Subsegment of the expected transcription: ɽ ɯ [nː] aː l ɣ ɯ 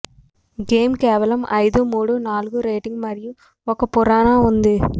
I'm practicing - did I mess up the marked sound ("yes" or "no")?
yes